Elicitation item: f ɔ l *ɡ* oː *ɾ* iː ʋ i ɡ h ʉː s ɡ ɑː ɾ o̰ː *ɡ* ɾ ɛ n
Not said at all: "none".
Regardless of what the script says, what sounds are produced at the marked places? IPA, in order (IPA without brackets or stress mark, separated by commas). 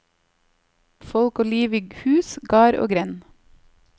k, l, ɡ